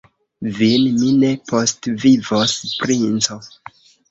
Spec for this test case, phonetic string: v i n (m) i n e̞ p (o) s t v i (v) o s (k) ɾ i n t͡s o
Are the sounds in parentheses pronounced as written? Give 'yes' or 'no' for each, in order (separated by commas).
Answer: yes, yes, yes, no